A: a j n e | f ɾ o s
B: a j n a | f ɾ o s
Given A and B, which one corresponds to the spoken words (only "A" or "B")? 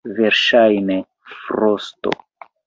A